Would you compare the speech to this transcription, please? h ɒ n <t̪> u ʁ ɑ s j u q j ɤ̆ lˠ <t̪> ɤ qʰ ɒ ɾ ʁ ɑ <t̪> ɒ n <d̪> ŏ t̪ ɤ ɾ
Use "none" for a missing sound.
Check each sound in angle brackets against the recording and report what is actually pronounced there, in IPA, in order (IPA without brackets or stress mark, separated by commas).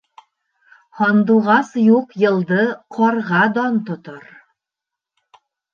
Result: d̪, d̪, d̪, t̪